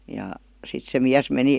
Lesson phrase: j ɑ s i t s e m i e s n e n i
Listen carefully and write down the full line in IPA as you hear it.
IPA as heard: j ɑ s i t s e m i æ s m e n i

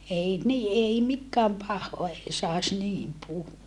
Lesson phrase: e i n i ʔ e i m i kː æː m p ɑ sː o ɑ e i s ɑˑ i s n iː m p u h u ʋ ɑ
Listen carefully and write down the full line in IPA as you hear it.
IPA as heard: e i n i ʔ e i m i kː æː m p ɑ hː o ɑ e i s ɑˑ e s n iː m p u h u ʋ ɑ

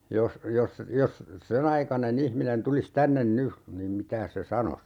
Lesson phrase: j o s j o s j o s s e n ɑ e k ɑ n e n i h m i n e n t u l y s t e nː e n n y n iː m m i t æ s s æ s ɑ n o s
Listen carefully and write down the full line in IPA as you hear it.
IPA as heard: j o s j o s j o s s e n ɑ i k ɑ n e n i h m i n e n t u l i s t æ nː e n n y n iː m m i t æː s s e s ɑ n o s

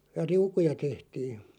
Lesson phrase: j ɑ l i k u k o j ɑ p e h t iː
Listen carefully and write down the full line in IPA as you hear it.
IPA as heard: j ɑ r i u k u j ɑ t e h t iː

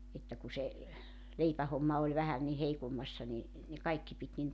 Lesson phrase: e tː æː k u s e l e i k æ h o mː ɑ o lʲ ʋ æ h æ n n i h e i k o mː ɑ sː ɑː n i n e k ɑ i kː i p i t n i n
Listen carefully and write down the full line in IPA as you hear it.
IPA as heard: e tː æ k u s e l e i p æ h o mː ɑ o lʲ ʋ æ h æ n n i h e i k o mː ɑ sː ɑ n i n e k ɑ i kː i p i t n i n

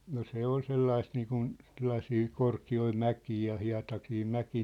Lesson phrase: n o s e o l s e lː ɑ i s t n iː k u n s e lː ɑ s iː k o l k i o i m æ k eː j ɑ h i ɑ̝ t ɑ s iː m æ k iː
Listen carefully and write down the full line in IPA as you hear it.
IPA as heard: n o s e o l s e lː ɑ i s t n iː k u n s e lː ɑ s iː k o r k i o i m æ k iː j ɑ h i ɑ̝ t ɑ s iː m æ k iː

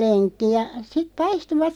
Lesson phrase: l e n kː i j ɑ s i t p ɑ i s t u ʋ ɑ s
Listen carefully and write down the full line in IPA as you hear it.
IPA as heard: l e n kː i j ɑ s i t p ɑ i s t u ʋ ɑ t

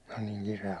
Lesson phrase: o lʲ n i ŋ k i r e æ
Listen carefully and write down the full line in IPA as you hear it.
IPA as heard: o lʲ n iː ŋ k i r e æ

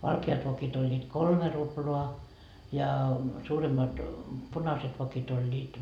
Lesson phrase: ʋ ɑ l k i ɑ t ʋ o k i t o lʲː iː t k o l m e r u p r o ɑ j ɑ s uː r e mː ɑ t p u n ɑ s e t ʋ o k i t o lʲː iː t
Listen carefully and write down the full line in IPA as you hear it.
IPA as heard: ʋ ɑ l k e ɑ t ʋ o k i t o lʲː iː t k o l m e r u p l o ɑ j ɑ s uː r e mː ɑ t p u n ɑ s e t ʋ o k i t o lʲː iː t

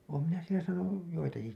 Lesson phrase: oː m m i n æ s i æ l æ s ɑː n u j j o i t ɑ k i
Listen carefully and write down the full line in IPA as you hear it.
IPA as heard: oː m m i n æ s i e l æ s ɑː n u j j o i t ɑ k i

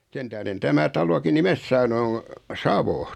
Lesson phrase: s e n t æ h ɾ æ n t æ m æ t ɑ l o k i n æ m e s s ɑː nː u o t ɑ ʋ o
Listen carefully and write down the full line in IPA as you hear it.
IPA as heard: s e n t æ h ɾ e n t æ m æ t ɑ l o k i n i m e s s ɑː n u o s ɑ ʋ o

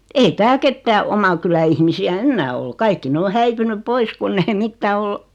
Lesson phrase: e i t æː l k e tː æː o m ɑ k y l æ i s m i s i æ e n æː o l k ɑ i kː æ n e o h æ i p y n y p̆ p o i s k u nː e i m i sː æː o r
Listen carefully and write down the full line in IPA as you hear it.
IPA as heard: e i t æː l k e tː æː o m ɑ k y l æ i h m i s i æ e nː æː o l k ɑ i kː i n e o h æ i p y n y p̆ p o i s k u nː e i m i tː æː o l

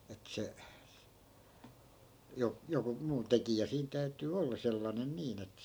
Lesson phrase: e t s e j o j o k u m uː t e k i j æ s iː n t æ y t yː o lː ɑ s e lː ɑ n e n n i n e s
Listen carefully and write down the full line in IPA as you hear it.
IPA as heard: e t s e j o j o k u m uː t e k i j æ s iː n t æ y t yː o lː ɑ s e lː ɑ n e n n iː n e t

